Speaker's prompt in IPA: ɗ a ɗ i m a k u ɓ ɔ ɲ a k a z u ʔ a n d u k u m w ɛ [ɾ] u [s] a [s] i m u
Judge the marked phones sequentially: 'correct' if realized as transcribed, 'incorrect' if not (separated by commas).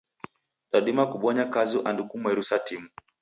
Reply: correct, correct, incorrect